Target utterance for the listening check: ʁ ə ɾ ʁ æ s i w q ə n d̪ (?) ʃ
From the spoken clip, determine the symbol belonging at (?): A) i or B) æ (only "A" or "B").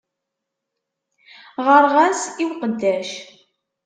B